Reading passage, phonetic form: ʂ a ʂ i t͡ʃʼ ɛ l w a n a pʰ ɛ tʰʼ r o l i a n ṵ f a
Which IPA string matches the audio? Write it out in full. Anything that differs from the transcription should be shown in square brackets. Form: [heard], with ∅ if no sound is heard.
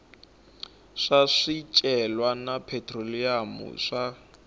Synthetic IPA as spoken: ʂ a ʂ i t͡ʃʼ ɛ l w a n a pʰ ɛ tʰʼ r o l i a [m] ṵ [ʂ] a

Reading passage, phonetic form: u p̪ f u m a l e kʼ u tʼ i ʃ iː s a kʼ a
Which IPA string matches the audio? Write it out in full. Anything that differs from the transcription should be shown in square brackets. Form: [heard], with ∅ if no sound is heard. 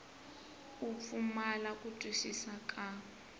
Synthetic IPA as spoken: u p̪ f u m a l [a] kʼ u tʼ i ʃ [i] s a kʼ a

